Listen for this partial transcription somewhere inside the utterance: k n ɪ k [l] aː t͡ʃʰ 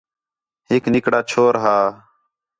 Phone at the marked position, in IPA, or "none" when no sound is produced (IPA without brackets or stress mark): ɽ